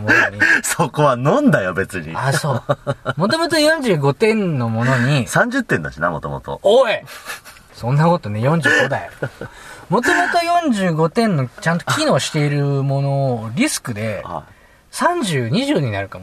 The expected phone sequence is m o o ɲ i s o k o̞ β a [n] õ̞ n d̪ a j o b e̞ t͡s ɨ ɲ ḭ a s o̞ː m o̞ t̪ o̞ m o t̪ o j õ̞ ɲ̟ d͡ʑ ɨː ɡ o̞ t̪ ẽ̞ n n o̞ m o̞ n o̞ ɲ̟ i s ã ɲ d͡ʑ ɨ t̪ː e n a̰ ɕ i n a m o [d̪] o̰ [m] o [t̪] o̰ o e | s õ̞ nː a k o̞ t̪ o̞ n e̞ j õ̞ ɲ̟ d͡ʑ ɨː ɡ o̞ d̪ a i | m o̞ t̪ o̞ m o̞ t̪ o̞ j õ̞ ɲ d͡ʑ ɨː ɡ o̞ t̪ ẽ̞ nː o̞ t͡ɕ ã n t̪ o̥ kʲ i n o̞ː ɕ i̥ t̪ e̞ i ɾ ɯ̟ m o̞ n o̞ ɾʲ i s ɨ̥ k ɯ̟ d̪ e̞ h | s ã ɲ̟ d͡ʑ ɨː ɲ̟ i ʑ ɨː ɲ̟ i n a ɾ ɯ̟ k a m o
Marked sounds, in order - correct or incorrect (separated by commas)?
correct, incorrect, correct, correct